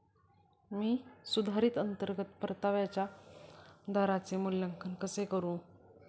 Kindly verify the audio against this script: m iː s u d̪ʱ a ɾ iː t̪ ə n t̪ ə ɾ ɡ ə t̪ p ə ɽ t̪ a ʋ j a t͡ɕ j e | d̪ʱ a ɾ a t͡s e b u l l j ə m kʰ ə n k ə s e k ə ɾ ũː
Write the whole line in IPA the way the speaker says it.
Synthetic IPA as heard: m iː s u d̪ʱ a ɾ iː t̪ ə n t̪ ə ɾ ɡ ə t̪ p ə ɾ t̪ a ʋ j a t͡ɕ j a | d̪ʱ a ɾ a t͡s e m u l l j ə ŋ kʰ ə n k ə s e k ə ɾ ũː